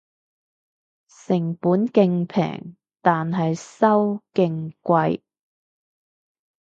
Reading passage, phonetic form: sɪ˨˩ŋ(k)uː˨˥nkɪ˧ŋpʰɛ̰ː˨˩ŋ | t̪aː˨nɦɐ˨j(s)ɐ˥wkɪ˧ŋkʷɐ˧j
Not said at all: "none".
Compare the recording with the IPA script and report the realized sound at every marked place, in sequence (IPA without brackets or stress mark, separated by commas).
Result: p, s